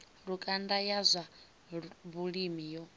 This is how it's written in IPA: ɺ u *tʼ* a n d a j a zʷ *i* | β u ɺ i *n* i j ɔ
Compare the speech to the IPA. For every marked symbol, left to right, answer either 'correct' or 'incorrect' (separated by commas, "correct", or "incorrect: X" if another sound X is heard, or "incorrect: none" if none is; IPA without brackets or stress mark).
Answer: incorrect: kʼ, incorrect: a, incorrect: m